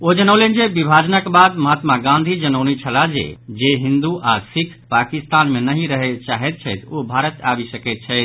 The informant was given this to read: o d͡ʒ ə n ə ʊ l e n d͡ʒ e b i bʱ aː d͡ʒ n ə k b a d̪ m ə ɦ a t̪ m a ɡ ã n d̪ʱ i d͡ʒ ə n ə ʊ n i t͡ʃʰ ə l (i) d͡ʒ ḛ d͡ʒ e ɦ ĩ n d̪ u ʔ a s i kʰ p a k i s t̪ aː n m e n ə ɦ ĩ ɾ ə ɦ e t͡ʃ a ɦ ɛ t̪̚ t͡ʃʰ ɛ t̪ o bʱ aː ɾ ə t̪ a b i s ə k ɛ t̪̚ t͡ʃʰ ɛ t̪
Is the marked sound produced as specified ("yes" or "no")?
no